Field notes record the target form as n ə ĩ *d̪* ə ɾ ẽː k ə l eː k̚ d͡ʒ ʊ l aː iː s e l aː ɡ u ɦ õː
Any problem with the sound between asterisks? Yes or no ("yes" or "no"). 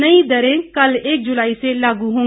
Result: no